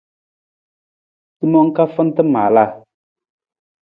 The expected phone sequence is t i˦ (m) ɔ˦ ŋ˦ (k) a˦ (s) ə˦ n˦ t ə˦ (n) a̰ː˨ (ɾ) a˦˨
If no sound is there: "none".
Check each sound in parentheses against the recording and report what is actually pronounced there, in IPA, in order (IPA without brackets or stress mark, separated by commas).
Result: m, k, f, m, l